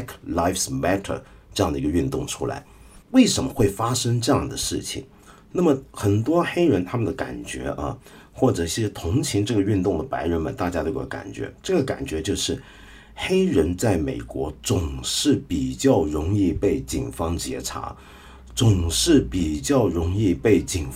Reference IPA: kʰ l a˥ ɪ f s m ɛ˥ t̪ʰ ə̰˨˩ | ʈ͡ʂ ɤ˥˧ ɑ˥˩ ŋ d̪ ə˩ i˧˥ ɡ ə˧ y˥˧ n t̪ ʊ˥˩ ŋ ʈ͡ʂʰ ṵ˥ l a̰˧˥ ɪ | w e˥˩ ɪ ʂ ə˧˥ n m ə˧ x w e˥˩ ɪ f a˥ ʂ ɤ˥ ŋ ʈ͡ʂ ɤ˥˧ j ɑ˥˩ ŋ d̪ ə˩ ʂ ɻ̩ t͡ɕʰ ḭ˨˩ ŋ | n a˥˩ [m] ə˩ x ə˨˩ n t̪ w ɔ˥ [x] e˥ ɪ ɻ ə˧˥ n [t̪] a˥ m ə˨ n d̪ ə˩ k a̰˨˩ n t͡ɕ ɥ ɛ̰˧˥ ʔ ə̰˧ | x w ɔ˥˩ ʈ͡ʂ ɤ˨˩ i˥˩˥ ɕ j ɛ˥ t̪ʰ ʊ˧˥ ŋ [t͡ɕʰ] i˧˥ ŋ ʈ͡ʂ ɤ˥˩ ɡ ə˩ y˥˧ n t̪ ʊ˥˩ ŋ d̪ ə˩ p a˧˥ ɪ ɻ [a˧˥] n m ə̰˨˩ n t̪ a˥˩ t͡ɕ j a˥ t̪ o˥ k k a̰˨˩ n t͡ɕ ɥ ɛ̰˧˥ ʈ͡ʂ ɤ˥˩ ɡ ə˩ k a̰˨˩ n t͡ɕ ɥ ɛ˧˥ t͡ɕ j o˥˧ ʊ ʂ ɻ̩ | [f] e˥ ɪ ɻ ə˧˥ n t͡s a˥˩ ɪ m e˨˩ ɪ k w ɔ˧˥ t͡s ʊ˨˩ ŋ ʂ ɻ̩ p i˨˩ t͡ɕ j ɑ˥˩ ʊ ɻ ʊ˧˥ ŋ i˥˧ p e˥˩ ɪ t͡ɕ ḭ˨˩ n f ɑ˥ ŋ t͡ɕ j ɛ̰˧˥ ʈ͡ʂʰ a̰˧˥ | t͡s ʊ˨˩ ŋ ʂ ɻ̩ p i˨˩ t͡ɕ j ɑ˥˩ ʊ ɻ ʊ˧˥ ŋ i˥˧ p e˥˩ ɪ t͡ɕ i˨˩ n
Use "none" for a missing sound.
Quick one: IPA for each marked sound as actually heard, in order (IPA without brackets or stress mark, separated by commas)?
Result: m, x, t̪ʰ, t͡ɕʰ, ə˧˥, x